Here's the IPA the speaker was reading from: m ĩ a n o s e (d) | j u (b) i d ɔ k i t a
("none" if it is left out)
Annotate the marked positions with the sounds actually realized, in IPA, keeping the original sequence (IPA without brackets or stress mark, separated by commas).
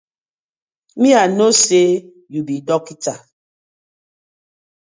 none, b